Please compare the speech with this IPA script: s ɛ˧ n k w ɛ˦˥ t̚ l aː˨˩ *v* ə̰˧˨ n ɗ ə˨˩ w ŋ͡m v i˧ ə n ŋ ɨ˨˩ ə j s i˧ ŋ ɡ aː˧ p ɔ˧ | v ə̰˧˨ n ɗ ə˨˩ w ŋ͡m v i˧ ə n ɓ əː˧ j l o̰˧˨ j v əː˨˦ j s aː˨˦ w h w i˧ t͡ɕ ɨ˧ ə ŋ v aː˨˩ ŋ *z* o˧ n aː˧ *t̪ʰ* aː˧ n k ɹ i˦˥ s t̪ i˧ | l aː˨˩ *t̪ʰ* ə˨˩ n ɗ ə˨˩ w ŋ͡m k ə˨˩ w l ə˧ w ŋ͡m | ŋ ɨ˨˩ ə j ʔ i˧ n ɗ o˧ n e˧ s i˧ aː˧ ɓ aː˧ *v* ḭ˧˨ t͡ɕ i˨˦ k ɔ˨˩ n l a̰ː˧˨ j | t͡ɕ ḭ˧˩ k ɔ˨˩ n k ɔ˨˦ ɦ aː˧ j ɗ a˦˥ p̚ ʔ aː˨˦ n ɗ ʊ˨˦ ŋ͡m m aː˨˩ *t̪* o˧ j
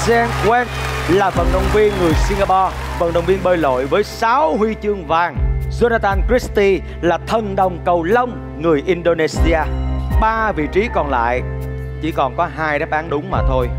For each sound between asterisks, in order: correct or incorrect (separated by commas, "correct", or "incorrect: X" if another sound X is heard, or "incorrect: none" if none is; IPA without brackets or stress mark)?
correct, correct, incorrect: t̪, correct, correct, incorrect: t̪ʰ